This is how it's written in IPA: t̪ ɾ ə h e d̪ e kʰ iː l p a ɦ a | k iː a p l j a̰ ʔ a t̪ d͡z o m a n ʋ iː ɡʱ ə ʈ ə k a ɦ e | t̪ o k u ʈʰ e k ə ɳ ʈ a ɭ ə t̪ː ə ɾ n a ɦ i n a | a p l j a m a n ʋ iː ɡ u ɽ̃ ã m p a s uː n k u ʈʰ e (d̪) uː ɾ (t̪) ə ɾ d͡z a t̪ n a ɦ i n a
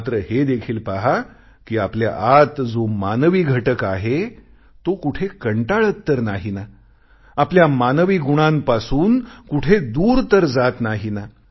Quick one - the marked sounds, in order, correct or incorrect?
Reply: correct, correct

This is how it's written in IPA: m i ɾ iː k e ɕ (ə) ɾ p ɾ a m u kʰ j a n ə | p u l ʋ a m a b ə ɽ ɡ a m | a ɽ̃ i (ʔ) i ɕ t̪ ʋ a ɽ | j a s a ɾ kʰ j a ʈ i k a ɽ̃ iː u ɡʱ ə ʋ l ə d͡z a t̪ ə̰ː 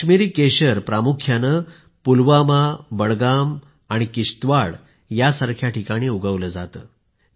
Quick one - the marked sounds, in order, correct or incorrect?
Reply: correct, incorrect

